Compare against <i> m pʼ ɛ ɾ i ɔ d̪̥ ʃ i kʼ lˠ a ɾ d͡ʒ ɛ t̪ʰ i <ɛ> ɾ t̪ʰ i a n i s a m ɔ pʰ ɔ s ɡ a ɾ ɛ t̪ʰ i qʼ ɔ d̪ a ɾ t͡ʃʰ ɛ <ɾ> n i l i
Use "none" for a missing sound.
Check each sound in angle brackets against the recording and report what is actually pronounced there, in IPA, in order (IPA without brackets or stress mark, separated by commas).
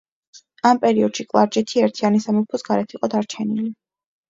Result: a, ɛ, none